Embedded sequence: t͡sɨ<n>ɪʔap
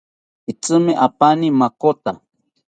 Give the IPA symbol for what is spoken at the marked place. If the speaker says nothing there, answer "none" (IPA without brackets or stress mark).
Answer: m